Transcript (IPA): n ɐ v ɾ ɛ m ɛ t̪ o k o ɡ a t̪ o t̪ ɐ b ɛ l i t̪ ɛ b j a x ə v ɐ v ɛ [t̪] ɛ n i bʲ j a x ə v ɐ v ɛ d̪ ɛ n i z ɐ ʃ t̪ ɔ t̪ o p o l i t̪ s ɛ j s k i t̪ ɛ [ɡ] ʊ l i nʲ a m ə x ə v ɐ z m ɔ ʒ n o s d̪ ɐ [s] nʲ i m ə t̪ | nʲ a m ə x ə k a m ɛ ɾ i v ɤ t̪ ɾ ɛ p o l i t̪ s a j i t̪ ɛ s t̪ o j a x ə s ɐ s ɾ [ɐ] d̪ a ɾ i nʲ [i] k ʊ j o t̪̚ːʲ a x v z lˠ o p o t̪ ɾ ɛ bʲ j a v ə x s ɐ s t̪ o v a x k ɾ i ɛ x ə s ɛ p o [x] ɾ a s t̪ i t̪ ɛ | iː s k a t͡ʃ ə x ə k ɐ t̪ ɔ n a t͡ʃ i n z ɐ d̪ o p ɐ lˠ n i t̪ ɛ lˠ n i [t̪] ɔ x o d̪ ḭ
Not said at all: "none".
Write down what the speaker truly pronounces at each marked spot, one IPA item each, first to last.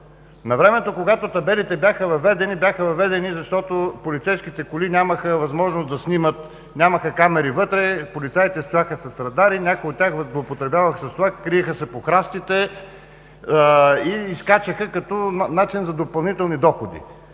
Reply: d̪, k, s, ɐ, a, x, d̪

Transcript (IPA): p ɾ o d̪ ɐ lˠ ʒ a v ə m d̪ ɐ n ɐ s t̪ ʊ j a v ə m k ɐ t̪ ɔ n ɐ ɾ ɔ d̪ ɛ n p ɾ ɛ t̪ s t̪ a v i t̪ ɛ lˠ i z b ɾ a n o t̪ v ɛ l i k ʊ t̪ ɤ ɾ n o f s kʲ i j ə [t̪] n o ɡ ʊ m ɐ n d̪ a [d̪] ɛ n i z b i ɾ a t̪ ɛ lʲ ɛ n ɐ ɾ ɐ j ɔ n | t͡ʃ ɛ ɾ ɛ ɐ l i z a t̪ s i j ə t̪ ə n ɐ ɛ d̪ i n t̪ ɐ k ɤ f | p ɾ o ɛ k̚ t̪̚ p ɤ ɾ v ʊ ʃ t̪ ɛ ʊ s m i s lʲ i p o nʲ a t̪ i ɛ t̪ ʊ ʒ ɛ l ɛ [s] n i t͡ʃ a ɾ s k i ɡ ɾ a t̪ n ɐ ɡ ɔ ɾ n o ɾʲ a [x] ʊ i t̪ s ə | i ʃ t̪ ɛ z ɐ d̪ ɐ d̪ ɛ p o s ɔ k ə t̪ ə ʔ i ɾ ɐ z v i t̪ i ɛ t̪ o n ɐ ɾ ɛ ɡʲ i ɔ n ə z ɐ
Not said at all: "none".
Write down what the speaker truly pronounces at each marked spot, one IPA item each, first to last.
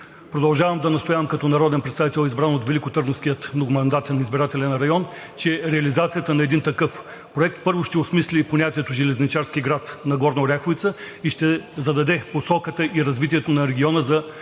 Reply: t̪, t̪, z, x

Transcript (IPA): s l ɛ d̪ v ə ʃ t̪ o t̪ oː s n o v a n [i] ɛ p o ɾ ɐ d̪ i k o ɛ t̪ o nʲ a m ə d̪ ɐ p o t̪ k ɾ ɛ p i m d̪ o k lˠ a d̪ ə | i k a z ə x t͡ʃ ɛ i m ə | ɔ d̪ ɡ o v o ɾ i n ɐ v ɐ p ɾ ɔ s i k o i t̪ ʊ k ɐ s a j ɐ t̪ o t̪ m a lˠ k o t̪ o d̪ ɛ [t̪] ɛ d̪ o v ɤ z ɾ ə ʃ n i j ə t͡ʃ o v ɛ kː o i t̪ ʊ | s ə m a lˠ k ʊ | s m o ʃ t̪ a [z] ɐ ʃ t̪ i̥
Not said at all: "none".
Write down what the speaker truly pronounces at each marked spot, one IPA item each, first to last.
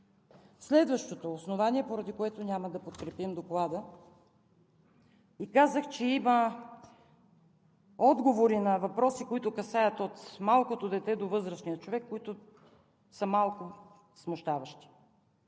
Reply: i, t̪, v

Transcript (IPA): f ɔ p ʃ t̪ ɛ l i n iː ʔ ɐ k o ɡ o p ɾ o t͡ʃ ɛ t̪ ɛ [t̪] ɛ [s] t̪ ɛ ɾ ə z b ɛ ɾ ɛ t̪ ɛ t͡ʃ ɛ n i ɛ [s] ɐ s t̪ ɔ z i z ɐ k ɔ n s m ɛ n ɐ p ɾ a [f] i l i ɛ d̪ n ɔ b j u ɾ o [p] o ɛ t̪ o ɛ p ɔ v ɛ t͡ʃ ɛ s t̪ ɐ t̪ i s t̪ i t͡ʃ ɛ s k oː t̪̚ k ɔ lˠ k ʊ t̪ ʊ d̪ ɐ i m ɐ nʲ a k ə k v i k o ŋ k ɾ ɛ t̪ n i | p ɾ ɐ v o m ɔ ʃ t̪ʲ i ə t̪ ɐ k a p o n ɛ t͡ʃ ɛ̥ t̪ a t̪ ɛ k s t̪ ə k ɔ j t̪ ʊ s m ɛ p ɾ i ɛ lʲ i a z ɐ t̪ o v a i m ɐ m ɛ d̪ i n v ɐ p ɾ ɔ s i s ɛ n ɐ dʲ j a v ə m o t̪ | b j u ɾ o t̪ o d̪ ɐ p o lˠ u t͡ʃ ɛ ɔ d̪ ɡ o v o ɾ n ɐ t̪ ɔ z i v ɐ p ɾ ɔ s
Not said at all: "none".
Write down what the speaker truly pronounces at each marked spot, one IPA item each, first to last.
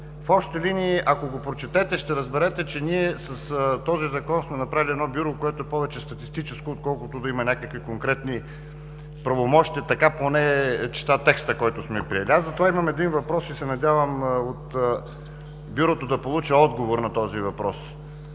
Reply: t̪, ʃ, s, v, k

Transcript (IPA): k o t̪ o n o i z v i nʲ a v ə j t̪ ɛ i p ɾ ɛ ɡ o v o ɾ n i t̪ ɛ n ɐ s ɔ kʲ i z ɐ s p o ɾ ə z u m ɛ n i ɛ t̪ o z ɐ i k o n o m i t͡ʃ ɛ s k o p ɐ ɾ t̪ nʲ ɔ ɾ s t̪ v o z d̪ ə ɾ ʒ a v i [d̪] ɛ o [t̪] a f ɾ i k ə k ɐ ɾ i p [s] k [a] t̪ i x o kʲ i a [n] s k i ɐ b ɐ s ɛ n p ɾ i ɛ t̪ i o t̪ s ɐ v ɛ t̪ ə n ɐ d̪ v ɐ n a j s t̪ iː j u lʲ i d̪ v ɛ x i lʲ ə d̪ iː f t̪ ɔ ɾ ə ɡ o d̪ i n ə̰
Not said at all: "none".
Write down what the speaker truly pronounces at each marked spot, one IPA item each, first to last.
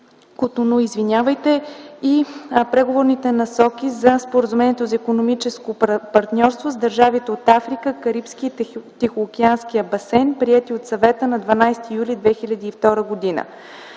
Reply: t̪, t̪, s, i, n

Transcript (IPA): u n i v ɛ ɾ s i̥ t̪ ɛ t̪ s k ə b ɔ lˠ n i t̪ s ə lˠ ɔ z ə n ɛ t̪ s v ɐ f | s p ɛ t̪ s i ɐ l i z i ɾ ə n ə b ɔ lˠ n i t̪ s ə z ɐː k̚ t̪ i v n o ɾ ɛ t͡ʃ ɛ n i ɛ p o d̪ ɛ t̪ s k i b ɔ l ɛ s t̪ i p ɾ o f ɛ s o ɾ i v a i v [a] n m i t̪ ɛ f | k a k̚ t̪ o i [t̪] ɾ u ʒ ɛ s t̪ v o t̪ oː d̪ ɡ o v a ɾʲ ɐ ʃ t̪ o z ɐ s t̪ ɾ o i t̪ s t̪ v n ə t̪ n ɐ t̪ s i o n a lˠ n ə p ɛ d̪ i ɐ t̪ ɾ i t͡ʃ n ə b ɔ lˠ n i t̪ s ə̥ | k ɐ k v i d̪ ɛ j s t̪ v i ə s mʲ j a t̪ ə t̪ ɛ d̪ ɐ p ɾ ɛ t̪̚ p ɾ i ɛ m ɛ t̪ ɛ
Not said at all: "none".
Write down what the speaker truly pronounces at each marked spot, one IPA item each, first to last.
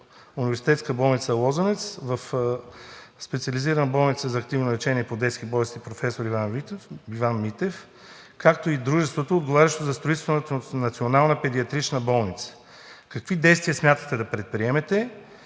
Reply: a, d̪

